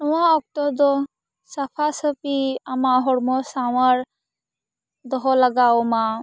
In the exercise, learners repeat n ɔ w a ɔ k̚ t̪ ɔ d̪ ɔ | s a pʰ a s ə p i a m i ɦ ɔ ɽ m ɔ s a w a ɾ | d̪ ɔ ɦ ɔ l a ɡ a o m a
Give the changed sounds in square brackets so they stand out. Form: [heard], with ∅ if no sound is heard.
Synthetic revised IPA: n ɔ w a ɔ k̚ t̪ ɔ d̪ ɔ | s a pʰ a s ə p i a m [a] ɦ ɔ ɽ m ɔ s a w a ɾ | d̪ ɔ ɦ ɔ l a ɡ a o m a